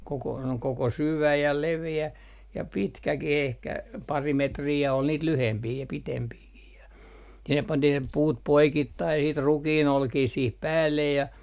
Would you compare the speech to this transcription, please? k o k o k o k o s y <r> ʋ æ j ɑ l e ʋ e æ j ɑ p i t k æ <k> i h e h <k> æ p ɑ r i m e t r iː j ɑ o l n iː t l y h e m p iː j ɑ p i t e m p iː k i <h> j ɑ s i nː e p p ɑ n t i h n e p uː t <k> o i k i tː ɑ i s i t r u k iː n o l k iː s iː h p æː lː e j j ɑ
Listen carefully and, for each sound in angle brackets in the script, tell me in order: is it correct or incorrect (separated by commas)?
incorrect, correct, correct, correct, incorrect